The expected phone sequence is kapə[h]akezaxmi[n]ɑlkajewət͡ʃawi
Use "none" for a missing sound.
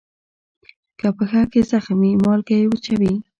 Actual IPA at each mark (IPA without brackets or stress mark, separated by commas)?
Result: x, m